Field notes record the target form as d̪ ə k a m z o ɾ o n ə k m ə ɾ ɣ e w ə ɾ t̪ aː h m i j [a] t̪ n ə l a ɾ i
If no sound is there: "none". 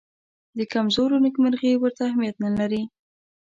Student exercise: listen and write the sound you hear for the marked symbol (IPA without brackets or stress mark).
a